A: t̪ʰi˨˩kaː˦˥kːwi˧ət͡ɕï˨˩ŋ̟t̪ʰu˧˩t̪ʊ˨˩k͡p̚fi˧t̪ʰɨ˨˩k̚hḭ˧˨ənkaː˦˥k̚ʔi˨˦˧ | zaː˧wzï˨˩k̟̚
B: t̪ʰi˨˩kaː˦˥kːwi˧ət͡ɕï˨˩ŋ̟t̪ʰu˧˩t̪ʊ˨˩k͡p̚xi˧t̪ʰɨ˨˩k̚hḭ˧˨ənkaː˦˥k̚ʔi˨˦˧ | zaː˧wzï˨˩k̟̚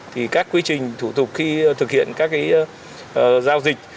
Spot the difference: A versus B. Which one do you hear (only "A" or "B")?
B